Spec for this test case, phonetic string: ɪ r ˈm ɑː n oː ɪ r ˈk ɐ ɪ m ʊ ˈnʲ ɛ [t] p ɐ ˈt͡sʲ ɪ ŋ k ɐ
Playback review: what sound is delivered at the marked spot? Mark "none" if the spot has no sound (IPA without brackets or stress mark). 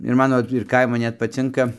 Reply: t